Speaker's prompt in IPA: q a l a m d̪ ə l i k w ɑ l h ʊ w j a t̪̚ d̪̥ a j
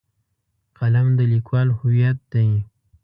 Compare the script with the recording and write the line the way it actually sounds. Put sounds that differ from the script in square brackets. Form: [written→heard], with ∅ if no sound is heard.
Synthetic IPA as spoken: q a l a m d̪ ə l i k w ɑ l h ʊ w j a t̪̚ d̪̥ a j